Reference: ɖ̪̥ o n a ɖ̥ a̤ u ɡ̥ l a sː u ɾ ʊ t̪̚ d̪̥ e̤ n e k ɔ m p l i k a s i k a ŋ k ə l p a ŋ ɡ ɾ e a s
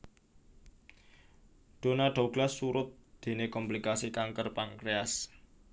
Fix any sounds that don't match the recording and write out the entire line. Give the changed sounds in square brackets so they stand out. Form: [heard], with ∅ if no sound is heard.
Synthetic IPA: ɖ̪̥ o n a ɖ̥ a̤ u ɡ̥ l a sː u ɾ ʊ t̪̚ d̪̥ e̤ n e k ɔ m p l i k a s i k a ŋ k ə [r] p a ŋ [k] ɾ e a s